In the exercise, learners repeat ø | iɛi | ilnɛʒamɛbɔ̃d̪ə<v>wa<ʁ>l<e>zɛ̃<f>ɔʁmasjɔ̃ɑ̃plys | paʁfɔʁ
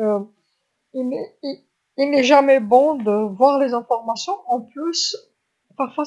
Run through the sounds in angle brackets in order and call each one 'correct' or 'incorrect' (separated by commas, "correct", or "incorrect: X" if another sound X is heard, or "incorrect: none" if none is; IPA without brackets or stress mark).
correct, correct, correct, correct